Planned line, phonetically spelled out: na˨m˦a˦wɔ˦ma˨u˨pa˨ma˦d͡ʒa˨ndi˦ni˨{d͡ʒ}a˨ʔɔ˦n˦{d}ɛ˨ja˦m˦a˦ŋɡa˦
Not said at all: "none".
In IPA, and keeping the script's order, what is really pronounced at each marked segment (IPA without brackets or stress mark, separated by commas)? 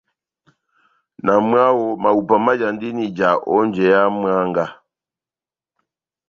d͡ʒ, d͡ʒ